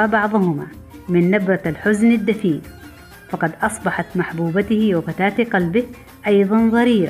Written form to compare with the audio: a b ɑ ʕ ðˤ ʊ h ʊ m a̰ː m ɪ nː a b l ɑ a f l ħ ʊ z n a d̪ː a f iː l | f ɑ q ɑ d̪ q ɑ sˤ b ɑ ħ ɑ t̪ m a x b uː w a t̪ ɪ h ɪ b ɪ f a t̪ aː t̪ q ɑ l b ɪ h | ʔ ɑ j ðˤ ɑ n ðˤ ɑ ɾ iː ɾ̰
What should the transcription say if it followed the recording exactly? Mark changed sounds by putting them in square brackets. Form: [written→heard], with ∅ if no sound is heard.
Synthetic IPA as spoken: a b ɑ ʕ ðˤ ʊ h ʊ m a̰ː m ɪ nː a b [l→ɾ] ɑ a [f→∅] l ħ ʊ z n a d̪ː a f iː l | f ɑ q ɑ d̪ [q→ʔ] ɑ sˤ b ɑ ħ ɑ t̪ m a [x→ħ] b uː [w→b] a t̪ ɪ h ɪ [b→w] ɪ f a t̪ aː t̪ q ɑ l b ɪ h | ʔ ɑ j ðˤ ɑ n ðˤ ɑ ɾ iː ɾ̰